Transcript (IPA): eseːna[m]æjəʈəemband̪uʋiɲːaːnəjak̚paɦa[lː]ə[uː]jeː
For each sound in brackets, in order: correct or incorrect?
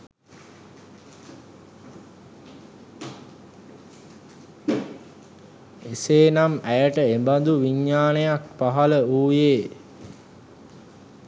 correct, incorrect, correct

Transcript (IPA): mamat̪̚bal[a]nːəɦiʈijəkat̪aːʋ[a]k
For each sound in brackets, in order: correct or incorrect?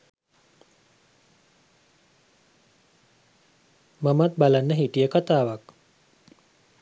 correct, correct

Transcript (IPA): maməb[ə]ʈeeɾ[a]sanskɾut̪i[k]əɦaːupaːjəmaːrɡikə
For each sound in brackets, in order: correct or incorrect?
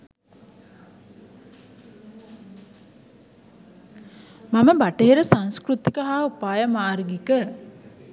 incorrect, incorrect, correct

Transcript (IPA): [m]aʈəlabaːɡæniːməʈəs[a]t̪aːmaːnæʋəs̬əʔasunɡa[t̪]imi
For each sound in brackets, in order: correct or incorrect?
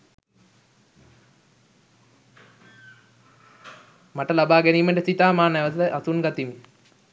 correct, incorrect, correct

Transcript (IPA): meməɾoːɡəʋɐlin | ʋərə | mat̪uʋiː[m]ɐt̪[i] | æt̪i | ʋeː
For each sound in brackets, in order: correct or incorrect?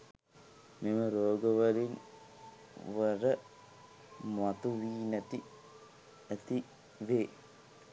incorrect, correct

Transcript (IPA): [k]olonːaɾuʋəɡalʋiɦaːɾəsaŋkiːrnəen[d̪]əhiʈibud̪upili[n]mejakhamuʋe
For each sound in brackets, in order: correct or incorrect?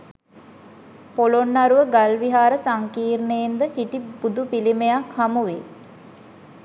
incorrect, correct, incorrect

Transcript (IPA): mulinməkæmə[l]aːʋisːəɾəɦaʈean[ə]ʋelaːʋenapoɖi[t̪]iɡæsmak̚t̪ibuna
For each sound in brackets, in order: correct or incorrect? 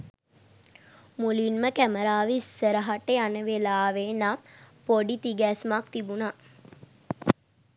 incorrect, correct, correct

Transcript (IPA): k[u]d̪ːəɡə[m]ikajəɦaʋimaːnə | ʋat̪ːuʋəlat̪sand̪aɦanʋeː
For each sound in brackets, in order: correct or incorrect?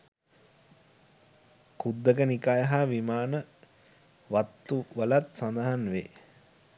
correct, incorrect

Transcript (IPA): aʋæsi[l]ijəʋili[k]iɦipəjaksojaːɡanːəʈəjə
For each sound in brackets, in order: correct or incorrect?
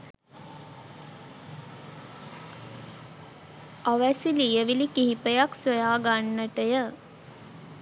correct, correct

